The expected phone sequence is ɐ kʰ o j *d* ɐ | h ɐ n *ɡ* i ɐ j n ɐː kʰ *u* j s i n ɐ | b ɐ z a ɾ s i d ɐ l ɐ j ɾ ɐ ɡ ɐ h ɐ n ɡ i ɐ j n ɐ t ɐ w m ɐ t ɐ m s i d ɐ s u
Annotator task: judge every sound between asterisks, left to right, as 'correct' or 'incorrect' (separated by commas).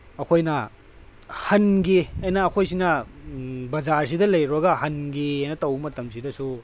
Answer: incorrect, correct, incorrect